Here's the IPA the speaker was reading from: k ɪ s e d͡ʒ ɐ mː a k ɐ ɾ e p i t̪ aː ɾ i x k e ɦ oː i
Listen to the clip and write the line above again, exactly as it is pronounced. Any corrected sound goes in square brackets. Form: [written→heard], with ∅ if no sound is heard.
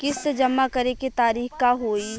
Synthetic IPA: k ɪ s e d͡ʒ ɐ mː a k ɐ ɾ e [p→k] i t̪ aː ɾ [i→iː] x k [e→a] ɦ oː i